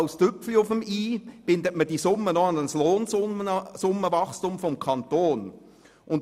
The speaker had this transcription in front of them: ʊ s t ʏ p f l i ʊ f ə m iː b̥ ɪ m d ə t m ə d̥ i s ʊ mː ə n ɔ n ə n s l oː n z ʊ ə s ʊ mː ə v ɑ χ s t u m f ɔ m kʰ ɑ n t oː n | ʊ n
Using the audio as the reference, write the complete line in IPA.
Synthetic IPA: ʊ s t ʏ p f l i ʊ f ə m iː b̥ ɪ n d ə t m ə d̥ i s ʊ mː ə n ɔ n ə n s l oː n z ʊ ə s ʊ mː ə v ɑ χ s t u m f ɔ m kʰ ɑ n t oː n | ʊ n